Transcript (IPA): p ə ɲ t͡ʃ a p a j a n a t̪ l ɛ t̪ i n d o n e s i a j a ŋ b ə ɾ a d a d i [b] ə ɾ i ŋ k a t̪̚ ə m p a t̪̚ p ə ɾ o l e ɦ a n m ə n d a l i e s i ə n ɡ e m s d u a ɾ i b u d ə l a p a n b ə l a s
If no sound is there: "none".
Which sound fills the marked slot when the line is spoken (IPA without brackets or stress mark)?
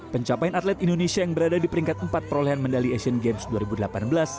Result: p